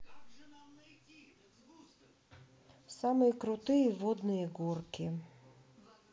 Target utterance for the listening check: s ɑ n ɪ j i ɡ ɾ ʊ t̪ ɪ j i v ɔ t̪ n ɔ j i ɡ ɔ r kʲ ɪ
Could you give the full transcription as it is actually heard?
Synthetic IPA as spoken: s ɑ m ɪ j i k ɾ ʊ t̪ ɪ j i ʋ ɔ d̪ n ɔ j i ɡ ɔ r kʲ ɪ